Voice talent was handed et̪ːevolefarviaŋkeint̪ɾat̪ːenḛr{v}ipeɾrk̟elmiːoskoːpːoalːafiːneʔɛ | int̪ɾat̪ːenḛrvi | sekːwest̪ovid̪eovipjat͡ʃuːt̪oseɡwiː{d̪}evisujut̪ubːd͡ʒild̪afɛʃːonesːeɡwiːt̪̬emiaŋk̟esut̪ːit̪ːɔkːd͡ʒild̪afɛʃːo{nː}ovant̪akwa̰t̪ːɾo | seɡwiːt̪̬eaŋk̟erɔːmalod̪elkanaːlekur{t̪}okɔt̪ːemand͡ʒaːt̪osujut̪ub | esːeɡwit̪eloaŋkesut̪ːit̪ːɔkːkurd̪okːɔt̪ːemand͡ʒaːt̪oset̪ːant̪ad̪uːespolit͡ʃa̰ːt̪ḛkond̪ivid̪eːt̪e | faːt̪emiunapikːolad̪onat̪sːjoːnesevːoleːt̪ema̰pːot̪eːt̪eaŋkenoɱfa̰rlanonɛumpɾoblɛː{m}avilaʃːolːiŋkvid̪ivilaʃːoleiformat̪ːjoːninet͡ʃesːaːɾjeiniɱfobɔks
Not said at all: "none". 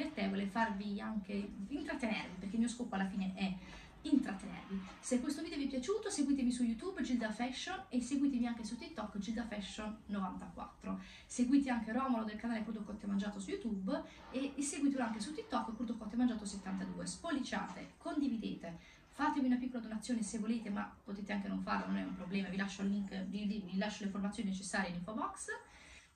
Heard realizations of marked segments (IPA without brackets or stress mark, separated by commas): v, t̪, nː, d̪, m